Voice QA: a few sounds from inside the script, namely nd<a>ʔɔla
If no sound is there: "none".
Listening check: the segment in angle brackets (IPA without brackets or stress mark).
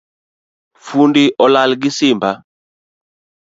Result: i